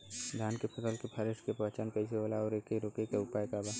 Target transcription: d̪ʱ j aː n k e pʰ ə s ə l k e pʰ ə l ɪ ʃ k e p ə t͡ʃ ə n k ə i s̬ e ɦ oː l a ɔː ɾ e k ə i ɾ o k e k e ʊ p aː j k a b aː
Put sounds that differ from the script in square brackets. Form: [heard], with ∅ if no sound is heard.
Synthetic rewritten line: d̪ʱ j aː n k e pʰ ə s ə l k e pʰ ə [ɾ] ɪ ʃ k e p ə t͡ʃ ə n k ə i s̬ e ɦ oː l a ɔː ɾ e k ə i ɾ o k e k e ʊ p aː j k a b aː

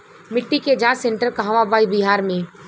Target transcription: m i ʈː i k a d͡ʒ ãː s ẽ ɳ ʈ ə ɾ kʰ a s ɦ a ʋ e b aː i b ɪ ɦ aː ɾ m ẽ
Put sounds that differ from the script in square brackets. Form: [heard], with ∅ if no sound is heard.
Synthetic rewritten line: m [ɪ] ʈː i k [e] d͡ʒ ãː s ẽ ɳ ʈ ə ɾ [k] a [∅] ɦ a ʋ [a] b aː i b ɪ ɦ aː ɾ m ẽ

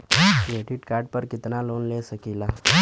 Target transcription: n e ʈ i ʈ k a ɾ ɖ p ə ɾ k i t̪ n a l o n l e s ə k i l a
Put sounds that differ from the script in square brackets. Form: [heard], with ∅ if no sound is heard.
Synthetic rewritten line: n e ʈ i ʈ k a ɾ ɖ p ə ɾ k i t̪ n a l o n l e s ə k i l a

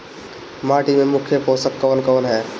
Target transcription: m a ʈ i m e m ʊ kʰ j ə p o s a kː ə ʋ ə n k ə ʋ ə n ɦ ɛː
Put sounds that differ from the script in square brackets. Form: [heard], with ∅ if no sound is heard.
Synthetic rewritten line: m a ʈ i m e m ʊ kʰ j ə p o s [ə] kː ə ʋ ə n k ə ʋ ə n ɦ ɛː

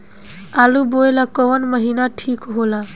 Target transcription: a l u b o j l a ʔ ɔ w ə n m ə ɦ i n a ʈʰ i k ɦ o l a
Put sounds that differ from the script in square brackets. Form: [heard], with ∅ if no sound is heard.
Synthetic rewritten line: a l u b o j l a [k] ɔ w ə n m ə ɦ i n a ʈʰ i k ɦ o l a

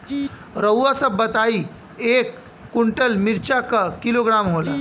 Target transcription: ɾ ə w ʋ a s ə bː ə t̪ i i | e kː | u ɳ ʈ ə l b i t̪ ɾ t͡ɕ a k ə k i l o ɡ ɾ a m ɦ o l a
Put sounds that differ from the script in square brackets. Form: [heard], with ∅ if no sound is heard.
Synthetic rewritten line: ɾ ə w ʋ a s ə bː ə t̪ [a] i | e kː | u ɳ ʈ ə l [m] i [∅] ɾ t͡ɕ a k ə k i l o ɡ ɾ a m ɦ o l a

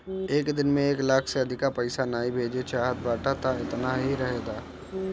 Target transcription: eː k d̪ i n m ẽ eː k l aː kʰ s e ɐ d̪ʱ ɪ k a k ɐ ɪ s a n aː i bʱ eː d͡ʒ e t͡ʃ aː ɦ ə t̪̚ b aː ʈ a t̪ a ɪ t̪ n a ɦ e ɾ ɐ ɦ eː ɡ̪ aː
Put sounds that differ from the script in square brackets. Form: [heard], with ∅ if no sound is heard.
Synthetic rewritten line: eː k d̪ [ɪ] n m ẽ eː k l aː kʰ s e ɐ d̪ʱ ɪ k a [p] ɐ ɪ s a n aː i bʱ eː d͡ʒ e t͡ʃ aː ɦ ə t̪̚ b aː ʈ a t̪ a ɪ t̪ n a ɦ [i] ɾ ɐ ɦ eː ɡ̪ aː

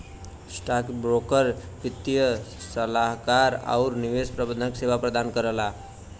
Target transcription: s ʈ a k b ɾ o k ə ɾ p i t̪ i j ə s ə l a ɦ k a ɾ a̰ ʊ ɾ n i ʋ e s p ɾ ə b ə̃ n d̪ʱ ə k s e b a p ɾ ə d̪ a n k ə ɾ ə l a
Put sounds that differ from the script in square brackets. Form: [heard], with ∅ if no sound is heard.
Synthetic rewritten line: s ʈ a k b ɾ o k ə ɾ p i t̪ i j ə s ə l a ɦ k a ɾ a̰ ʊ ɾ n i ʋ e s p ɾ ə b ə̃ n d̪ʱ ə k s e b a p ɾ ə d̪ a n k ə ɾ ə l a

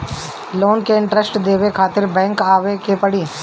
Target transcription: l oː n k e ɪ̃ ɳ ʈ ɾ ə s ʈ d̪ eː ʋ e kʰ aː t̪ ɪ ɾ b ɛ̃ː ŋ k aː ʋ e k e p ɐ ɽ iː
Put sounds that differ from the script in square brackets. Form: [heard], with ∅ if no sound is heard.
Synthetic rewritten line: l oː n k e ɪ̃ ɳ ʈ ɾ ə s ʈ d̪ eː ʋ e kʰ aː t̪ ɪ ɾ b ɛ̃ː ŋ k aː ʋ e k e p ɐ ɽ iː

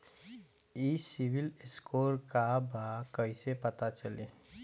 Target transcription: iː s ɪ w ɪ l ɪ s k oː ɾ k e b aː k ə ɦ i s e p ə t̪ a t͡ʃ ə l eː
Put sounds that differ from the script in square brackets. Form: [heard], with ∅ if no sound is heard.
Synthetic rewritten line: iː s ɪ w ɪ l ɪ s k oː ɾ k [a] b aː k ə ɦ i s e p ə t̪ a t͡ʃ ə l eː

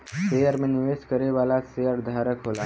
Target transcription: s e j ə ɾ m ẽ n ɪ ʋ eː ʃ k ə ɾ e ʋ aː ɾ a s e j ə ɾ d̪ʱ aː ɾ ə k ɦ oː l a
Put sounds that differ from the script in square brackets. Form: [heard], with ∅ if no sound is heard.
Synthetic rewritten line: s e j ə ɾ m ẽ n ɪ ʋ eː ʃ k ə ɾ e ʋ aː [l] a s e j ə ɾ d̪ʱ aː ɾ ə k ɦ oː l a

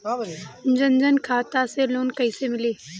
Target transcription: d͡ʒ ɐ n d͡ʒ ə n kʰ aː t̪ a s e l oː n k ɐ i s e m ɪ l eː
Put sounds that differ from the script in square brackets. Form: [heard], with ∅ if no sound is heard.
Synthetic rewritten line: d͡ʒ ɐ n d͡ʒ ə n kʰ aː t̪ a s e l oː n k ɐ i s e m ɪ l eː

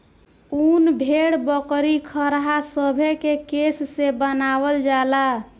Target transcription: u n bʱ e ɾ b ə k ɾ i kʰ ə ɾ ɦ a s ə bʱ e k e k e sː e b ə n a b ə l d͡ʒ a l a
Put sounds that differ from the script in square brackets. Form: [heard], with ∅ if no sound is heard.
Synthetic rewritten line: u n bʱ e [ɽ] b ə k ɾ i kʰ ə ɾ ɦ a s ə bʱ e k e k e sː e b ə n a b ə l d͡ʒ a l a

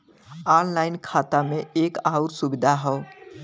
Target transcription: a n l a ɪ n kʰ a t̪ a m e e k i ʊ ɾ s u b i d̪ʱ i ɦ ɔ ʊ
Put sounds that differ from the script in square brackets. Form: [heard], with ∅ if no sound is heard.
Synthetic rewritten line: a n l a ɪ n kʰ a t̪ a m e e k [a] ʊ ɾ s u b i d̪ʱ [a] ɦ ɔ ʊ

